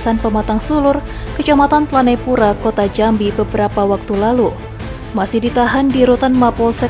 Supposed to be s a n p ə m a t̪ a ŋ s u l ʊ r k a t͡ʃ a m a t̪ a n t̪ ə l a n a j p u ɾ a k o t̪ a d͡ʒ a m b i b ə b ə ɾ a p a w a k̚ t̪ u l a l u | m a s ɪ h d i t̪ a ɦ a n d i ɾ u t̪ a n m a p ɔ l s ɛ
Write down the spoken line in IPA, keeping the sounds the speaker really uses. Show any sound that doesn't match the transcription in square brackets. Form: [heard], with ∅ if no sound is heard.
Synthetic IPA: s a n p ə m a t̪ a ŋ s u l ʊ r k [ə] t͡ʃ a m a t̪ a n t̪ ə l a n a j p u ɾ a k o t̪ a d͡ʒ a m b i b ə b ə ɾ a p a w a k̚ t̪ u l a l u | m a s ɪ h d i t̪ a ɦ a n d i ɾ u t̪ a n m a p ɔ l s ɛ